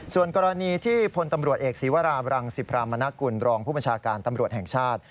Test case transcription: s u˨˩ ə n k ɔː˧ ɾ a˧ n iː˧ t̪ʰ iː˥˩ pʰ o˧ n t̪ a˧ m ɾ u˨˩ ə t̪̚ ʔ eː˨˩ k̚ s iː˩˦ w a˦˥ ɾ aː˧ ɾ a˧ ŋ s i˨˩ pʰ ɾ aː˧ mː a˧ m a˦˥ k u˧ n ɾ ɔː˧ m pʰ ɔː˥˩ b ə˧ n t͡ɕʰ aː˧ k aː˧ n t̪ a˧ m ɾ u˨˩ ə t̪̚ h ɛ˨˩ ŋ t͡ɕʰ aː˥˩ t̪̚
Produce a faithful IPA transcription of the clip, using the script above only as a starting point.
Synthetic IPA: s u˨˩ ə n k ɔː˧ ɾ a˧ n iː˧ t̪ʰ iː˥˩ pʰ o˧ n t̪ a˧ m ɾ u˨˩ ə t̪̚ ʔ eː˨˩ k̚ s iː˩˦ w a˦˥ ɾ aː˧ ɾ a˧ ŋ s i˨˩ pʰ ɾ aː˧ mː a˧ n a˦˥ k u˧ n ɾ ɔː˧ ŋ pʰ uː˥˩ b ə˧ n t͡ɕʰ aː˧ k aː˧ n t̪ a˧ m ɾ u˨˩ ə t̪̚ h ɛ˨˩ ŋ t͡ɕʰ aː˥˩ t̪̚